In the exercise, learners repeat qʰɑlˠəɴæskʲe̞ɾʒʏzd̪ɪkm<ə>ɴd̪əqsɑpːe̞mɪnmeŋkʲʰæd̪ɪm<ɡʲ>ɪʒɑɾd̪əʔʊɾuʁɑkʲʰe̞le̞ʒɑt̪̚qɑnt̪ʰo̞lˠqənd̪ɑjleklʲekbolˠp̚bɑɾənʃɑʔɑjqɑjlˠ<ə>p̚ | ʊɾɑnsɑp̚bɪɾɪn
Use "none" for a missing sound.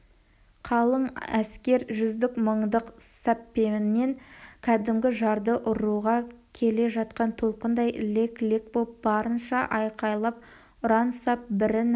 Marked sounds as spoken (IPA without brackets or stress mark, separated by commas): ə, ɡʲ, ɑ